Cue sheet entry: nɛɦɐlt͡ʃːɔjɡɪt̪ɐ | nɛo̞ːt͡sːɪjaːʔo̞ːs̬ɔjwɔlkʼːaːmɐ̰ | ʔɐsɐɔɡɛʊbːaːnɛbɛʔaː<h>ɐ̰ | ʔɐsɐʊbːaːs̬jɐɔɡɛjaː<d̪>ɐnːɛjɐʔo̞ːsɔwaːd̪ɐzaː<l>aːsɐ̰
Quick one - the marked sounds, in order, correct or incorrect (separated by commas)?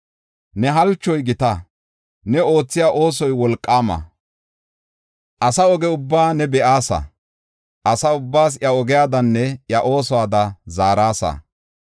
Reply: incorrect, correct, incorrect